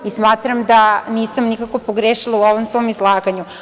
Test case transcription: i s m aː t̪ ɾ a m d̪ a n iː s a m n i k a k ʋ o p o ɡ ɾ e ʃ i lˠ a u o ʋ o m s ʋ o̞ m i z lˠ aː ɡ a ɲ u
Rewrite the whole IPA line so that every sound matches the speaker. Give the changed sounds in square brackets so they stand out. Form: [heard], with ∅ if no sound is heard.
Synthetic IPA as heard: i s m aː t̪ ɾ a m d̪ a n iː s a m n i k a k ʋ o p o ɡ ɾ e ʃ i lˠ a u o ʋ o m s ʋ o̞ m i z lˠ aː ɡ a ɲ u